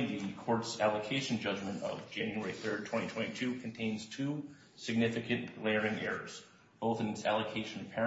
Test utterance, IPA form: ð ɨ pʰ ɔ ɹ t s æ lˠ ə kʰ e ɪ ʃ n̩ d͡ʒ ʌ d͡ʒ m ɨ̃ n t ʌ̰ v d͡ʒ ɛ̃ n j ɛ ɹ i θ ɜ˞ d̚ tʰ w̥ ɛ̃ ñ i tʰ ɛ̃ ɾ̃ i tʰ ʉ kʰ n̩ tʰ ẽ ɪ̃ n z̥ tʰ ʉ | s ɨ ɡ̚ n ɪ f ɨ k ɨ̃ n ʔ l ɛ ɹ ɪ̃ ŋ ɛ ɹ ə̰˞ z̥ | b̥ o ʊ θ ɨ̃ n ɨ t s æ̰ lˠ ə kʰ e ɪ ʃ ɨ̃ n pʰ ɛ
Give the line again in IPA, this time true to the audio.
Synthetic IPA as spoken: ð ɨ kʰ ɔ ɹ t s æ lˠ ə kʰ e ɪ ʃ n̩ d͡ʒ ʌ d͡ʒ m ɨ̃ n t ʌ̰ v d͡ʒ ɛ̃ n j ɛ ɹ i θ ɜ˞ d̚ tʰ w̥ ɛ̃ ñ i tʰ ɛ̃ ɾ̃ i tʰ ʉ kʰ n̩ tʰ ẽ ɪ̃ n z̥ tʰ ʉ | s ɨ ɡ̚ n ɪ f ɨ k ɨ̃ n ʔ l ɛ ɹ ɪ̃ ŋ ɛ ɹ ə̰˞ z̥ | b̥ o ʊ θ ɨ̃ n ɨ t s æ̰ lˠ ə kʰ e ɪ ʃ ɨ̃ n pʰ ɛ